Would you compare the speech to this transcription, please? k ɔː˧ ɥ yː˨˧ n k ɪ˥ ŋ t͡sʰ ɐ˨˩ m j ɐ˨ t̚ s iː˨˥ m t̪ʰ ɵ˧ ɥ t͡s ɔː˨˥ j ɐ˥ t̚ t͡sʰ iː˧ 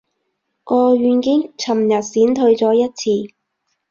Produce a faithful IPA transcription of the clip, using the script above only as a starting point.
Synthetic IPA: k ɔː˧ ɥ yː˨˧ n k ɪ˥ ŋ t͡sʰ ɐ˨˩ m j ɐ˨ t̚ s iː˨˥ n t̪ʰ ɵ˧ ɥ t͡s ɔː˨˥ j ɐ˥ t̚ t͡sʰ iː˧

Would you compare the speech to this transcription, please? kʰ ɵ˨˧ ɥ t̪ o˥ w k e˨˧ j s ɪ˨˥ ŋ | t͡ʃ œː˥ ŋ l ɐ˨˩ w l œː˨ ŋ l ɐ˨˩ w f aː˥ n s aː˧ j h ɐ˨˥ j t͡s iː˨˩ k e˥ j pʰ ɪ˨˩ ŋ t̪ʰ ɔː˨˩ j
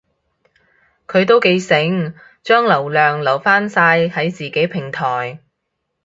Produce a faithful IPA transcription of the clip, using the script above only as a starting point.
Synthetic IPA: kʰ ɵ˨˧ ɥ t̪ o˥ w k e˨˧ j s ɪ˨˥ ŋ | t͡ʃ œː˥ ŋ l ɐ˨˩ w l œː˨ ŋ l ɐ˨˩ w f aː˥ n s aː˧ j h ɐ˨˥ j t͡s iː˨˩ k e˨˥ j pʰ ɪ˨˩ ŋ t̪ʰ ɔː˨˩ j

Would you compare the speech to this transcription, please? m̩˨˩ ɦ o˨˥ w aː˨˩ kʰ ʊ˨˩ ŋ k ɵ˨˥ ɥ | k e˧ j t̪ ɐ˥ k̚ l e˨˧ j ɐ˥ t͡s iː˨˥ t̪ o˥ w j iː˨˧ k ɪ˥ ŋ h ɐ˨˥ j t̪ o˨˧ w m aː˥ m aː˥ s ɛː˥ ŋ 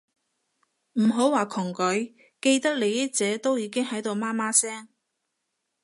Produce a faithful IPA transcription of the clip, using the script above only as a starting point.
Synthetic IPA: m̩˨˩ ɦ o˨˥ w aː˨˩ kʰ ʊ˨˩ ŋ k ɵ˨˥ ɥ | k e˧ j t̪ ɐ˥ k̚ l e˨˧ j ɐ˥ t͡s ɛː˨˥ t̪ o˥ w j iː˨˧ k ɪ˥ ŋ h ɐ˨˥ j t̪ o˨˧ w m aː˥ m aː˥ s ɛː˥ ŋ

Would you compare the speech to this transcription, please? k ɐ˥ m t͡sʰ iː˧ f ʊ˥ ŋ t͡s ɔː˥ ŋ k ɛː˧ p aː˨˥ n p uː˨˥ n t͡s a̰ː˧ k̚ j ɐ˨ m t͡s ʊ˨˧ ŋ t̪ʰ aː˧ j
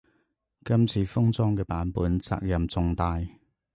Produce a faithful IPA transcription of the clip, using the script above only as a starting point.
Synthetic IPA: k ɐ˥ m t͡sʰ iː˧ f ʊ˥ ŋ t͡s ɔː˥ ŋ k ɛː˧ p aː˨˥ n p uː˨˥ n t͡s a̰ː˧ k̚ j ɐ˨ m t͡s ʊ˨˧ ŋ t̪ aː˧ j

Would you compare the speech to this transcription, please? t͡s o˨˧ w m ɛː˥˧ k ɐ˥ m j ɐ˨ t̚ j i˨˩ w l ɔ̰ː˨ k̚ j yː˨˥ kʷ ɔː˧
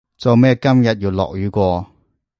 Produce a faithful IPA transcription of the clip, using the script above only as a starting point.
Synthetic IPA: t͡s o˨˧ w m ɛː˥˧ k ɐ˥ m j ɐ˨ t̚ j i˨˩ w l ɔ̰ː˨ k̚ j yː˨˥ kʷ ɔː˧

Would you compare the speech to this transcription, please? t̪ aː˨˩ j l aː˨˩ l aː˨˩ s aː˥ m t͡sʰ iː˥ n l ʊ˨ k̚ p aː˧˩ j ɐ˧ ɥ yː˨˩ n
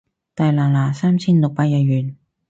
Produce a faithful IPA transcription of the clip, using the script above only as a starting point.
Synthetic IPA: t̪ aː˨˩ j l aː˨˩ l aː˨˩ s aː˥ m t͡sʰ iː˥ n l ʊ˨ k̚ p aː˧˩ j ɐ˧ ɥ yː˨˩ n

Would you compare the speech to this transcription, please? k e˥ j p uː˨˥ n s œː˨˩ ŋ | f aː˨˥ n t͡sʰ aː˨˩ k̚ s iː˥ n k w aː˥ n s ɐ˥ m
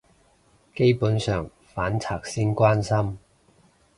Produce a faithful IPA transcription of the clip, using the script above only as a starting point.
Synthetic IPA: k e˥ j p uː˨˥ n s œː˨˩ ŋ | f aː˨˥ n t͡sʰ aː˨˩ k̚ s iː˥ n k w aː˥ n s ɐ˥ m

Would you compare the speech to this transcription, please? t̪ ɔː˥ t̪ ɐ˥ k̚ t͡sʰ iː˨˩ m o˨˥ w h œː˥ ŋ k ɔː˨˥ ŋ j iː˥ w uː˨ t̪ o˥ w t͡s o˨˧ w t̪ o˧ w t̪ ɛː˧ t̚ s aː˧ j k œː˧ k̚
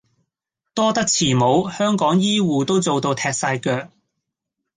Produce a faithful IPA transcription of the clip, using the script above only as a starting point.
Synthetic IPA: t̪ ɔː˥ t̪ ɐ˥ k̚ t͡sʰ iː˨˩ m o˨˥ w h œː˥ ŋ k ɔː˨˥ ŋ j iː˥ w uː˨ t̪ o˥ w t͡s o˨˧ w t̪ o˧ w t̪ʰ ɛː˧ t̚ s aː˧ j k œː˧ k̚

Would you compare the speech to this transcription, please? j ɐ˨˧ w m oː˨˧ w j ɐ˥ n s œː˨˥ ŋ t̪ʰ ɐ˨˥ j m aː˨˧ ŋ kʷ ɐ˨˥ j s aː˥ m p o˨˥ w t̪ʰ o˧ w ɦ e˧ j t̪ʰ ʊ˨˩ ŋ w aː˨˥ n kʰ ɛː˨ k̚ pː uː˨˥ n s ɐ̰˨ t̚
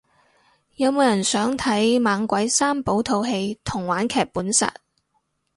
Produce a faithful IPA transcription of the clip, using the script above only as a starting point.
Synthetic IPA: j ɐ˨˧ w m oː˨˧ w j ɐ˨˩ n s œː˨˥ ŋ t̪ʰ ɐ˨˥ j m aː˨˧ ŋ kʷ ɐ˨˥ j s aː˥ m p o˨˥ w t̪ʰ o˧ w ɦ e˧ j t̪ʰ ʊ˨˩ ŋ w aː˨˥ n kʰ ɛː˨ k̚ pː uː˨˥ n s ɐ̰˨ t̚

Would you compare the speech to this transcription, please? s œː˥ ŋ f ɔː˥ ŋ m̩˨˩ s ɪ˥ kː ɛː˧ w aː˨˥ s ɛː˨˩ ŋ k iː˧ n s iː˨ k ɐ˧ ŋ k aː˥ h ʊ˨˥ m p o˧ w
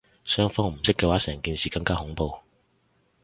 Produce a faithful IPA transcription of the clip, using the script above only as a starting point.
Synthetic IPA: s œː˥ ŋ f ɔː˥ ŋ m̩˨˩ s ɪ˥ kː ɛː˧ w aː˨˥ s ɛː˨˩ ŋ k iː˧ n s iː˨ k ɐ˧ ŋ k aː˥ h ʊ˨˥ ŋ p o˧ w

